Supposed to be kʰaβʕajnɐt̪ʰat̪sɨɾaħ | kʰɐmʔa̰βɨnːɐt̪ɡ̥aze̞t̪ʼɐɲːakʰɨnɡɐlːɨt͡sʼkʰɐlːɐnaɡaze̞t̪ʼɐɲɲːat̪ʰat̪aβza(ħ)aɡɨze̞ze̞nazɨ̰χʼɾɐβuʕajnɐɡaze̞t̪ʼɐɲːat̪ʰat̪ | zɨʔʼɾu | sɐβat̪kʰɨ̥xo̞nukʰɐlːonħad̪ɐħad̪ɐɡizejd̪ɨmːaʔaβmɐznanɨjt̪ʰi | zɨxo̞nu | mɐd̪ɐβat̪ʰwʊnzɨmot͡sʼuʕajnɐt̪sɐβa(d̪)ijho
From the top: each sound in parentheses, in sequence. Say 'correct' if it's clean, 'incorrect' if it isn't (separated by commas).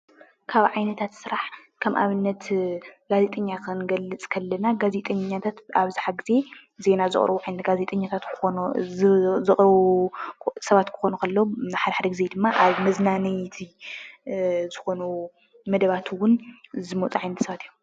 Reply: correct, incorrect